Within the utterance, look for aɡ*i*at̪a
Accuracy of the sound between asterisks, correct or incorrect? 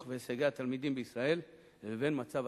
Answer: incorrect